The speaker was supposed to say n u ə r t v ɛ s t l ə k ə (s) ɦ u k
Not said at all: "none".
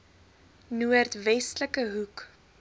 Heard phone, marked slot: none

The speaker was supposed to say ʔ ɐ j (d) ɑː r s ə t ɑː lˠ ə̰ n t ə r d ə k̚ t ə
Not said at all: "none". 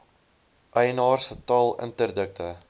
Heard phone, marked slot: n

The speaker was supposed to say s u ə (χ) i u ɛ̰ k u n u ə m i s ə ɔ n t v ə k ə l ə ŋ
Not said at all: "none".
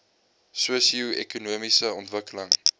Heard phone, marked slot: s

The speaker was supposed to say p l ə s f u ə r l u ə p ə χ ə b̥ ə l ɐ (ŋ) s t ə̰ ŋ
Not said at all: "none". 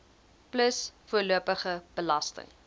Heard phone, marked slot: none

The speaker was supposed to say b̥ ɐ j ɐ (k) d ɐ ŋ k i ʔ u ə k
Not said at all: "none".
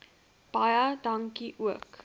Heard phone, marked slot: none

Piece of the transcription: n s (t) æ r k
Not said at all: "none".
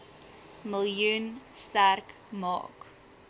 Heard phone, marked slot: t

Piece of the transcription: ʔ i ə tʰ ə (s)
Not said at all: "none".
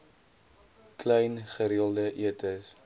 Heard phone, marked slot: s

